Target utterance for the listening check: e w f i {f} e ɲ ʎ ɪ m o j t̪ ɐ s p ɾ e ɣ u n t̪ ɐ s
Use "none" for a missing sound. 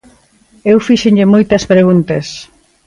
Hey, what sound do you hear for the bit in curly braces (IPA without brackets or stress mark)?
ʃ